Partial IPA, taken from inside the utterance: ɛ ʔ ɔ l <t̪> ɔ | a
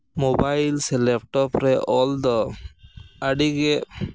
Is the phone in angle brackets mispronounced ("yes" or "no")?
yes